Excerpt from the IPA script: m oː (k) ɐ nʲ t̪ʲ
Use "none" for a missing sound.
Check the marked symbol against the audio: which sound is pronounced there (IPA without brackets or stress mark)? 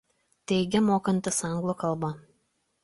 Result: k